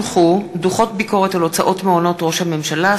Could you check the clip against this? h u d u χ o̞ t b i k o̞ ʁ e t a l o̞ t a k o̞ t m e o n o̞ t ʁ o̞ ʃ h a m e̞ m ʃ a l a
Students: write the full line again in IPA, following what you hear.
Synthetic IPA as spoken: χ u d u χ o̞ t b i k o̞ ʁ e t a l o̞ t͡s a ʔ o̞ t m e o n o̞ t ʁ o̞ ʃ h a m e̞ m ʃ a l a

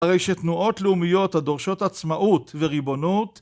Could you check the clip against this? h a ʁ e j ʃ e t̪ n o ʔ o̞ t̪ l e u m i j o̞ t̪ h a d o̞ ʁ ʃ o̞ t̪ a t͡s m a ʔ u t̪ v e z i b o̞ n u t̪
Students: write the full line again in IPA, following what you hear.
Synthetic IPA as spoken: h a ʁ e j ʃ e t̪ n u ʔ o̞ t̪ l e u m i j o̞ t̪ h a d o̞ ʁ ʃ o̞ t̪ a t͡s m a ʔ u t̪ v e ʁ i b o̞ n u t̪

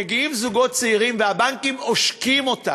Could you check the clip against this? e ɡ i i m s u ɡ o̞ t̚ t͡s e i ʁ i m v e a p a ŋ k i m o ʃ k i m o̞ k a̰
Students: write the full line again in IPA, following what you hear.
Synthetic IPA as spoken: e ɡ i i m z u ɡ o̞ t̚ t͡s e i ʁ i m v e a b a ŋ k i m o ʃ k i m o̞ t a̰

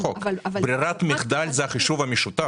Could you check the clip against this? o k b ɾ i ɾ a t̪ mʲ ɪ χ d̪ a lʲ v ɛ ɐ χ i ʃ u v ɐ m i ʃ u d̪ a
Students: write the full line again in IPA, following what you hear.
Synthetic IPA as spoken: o k b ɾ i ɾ a t̪ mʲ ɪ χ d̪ a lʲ z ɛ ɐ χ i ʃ u v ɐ m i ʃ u t̪ a

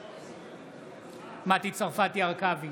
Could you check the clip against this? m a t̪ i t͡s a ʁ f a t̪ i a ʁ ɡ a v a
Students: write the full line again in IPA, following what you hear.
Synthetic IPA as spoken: m a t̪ i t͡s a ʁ f a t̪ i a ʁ k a v i

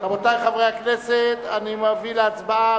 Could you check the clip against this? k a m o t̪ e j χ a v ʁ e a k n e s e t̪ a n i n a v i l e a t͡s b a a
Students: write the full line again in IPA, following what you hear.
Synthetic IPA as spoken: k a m o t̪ a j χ a v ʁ e a k n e s e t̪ a n i m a v i l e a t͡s b a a

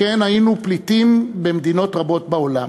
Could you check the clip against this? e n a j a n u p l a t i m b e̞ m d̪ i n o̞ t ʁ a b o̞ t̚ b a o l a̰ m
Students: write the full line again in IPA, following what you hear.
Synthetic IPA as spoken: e n a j i n u p l i t i m b e̞ m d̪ i n o̞ t ʁ a b o̞ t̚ b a o l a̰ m

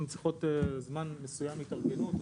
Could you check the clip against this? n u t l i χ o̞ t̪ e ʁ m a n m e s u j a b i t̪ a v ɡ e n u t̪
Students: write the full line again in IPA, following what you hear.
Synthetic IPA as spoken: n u t͡s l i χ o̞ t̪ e z m a n m e s u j a m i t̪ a ʁ ɡ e n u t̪

